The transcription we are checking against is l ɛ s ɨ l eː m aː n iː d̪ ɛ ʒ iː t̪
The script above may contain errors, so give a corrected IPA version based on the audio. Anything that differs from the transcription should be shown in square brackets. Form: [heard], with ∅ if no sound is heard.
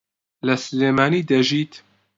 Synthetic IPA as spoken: l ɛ s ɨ l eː m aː n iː d̪ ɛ ʒ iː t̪